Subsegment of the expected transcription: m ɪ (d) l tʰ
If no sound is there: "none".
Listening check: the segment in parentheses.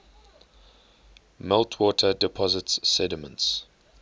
none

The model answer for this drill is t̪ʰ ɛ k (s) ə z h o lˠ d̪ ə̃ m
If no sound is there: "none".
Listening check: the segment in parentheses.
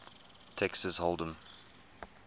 s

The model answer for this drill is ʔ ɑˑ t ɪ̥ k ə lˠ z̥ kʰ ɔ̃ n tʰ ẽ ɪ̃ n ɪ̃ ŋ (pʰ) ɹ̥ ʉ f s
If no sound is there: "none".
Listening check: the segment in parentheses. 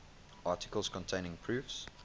pʰ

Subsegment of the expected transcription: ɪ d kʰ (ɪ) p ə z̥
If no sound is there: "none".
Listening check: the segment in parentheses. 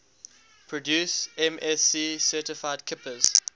ɪ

